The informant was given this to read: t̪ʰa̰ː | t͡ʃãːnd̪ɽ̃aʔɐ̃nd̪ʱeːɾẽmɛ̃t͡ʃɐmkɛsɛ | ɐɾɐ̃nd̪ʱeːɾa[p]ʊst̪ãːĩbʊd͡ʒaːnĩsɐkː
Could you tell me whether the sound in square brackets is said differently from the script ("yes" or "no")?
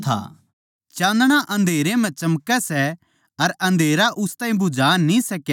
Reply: yes